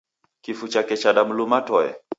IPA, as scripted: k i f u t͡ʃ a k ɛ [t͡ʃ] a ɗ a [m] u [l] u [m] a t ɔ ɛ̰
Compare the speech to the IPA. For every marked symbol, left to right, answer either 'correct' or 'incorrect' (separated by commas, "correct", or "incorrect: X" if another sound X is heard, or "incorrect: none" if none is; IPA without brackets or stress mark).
correct, correct, correct, correct